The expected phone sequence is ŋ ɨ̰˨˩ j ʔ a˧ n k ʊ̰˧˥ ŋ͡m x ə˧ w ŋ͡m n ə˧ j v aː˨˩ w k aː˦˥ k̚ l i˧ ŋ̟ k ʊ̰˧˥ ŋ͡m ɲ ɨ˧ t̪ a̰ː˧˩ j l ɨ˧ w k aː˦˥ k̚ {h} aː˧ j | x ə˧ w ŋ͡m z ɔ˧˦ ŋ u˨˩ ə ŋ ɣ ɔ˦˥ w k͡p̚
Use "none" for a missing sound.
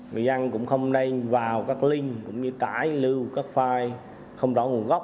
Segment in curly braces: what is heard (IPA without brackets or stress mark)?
f